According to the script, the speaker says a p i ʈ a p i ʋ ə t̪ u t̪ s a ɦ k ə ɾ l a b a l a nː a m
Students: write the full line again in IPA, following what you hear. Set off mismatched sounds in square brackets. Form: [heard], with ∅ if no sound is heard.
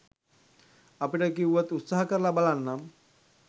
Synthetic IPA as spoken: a p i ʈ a [k] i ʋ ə t̪ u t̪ s a ɦ k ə ɾ l a b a l a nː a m